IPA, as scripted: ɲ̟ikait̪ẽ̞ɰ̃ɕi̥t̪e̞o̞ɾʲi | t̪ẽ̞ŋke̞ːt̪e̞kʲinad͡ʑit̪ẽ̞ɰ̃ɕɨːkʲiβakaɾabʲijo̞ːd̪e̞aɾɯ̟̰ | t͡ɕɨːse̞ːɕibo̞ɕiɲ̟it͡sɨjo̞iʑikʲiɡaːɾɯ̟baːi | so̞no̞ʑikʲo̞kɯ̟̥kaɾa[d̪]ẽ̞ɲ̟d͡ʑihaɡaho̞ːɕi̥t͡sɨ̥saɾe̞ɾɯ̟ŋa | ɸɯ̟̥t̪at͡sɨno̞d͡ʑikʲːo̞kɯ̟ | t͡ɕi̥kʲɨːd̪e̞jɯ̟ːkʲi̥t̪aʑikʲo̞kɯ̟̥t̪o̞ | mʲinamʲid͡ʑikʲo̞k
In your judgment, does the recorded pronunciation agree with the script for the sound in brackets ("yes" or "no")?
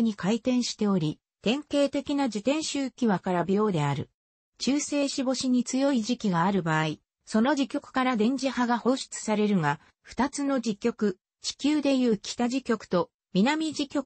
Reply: yes